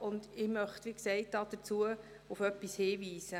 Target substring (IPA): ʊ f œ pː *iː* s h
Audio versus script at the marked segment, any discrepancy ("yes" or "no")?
yes